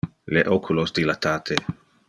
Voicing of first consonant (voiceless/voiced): voiced